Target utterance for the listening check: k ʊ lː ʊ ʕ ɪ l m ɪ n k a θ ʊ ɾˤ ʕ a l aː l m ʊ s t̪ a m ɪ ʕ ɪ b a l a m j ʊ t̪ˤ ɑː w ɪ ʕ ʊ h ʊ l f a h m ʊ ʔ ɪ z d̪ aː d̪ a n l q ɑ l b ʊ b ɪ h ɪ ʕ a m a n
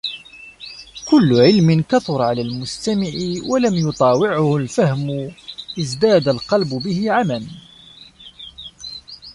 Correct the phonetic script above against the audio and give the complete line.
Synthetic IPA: k ʊ lː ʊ ʕ ɪ l m ɪ n k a θ ʊ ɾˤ ʕ a l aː l m ʊ s t̪ a m ɪ ʕ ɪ w a l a m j ʊ t̪ˤ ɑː w ɪ ʕ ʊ h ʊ l f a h m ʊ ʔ ɪ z d̪ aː d̪ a l q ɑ l b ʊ b ɪ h ɪ ʕ a m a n